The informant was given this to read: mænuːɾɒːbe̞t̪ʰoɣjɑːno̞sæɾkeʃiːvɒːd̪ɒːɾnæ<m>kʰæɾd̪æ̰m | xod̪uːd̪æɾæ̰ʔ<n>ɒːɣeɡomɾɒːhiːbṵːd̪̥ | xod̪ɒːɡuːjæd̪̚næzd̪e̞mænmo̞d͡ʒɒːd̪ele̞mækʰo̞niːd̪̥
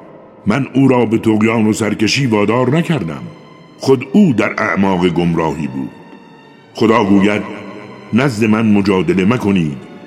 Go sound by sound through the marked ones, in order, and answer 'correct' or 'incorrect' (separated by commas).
incorrect, incorrect